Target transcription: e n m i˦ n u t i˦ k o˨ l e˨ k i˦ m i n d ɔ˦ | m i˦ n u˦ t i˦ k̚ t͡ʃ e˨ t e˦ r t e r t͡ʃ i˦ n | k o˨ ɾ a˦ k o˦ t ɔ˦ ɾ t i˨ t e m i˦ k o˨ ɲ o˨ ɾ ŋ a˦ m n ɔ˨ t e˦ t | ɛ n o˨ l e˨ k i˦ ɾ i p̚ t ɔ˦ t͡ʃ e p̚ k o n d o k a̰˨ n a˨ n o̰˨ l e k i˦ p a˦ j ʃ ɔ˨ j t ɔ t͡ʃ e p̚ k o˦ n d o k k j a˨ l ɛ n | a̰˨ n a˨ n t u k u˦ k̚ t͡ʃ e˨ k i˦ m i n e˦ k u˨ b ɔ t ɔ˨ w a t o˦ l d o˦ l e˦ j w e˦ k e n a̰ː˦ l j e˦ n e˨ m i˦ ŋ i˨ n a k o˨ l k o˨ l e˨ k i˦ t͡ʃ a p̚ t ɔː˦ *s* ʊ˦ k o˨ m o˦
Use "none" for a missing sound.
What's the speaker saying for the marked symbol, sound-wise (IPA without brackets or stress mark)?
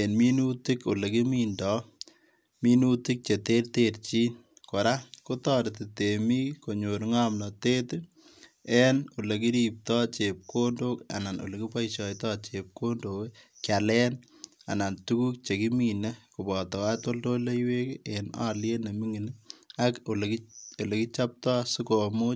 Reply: s